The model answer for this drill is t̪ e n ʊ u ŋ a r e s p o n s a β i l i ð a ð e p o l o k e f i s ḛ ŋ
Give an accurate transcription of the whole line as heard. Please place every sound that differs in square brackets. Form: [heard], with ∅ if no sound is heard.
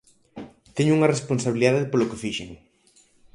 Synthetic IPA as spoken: t̪ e [ɲ] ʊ u ŋ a r e s p o n s a β i l i ð a ð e p o l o k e f i [ʃ] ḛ ŋ